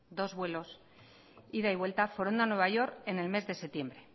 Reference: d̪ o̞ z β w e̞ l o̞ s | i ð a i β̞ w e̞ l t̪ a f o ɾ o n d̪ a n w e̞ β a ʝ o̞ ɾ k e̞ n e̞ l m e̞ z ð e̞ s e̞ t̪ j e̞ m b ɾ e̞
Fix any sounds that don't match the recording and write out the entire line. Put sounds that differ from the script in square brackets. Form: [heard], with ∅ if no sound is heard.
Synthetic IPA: d̪ o̞ z β w e̞ l o̞ s | i ð a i β̞ w e̞ l t̪ a f o ɾ o n d̪ a n w e̞ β a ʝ o̞ ɾ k e̞ n e̞ l m e̞ z ð e̞ s e̞ t̪ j e̞ m b ɾ e̞